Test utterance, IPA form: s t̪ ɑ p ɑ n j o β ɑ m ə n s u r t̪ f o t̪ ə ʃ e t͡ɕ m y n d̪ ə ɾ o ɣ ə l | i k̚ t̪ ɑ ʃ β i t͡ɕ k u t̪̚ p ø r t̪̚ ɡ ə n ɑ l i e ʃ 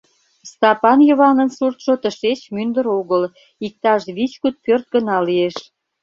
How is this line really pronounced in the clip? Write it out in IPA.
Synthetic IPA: s t̪ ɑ p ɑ n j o β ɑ n ə n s u r t̪ ʃ o t̪ ə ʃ e t͡ɕ m y n d̪ ə ɾ o ɣ ə l | i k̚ t̪ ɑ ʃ β i t͡ɕ k u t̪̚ p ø r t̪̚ ɡ ə n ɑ l i e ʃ